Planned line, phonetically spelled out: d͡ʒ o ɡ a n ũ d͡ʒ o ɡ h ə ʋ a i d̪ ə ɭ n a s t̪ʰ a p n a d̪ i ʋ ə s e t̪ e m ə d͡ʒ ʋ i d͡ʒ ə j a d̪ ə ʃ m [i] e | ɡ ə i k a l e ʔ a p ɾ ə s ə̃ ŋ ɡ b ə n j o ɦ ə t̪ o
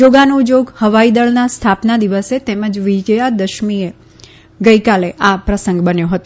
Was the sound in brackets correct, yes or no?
yes